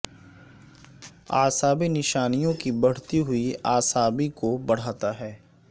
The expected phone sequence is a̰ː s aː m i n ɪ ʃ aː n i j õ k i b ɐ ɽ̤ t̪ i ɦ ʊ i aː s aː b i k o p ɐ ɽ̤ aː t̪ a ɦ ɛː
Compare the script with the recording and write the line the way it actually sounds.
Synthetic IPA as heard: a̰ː s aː b i n ɪ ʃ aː n i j õ k i b ɐ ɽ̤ t̪ i ɦ ʊ i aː s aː b i k o b ɐ ɽ̤ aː t̪ a ɦ ɛː